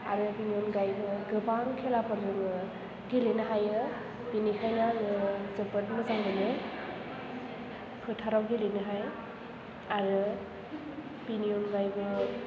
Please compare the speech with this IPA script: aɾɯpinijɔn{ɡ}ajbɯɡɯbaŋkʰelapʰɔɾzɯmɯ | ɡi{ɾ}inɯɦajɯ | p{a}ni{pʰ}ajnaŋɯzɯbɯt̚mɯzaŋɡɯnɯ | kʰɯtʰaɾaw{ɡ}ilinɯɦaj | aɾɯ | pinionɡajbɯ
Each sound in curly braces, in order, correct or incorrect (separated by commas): correct, incorrect, incorrect, incorrect, correct